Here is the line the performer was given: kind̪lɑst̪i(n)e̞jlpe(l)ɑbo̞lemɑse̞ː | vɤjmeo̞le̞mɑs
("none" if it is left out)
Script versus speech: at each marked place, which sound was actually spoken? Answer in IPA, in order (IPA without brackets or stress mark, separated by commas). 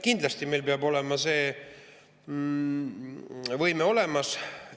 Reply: m, none